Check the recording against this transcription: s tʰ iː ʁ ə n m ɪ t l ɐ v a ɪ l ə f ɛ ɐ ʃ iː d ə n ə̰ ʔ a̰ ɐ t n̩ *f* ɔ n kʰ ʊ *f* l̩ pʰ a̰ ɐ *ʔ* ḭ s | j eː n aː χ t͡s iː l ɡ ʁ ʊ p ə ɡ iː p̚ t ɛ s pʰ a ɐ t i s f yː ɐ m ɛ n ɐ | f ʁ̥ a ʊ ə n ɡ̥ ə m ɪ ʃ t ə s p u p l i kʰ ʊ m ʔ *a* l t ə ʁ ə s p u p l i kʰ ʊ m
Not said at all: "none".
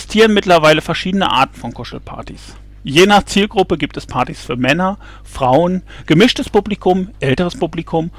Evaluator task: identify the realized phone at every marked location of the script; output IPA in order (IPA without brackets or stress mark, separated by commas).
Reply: f, ʃ, t, ɛ